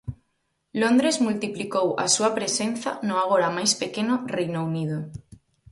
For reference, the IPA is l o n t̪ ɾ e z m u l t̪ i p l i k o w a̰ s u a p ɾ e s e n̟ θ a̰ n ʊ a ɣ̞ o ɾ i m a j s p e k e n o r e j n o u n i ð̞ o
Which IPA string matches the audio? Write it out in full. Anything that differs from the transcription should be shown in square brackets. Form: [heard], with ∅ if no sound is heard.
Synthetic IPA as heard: l o n [d̪] ɾ e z m u l t̪ i p l i k o w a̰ s u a p ɾ e s e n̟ θ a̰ n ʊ a ɣ̞ o ɾ [a] m a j s p e k e n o r e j n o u n i ð̞ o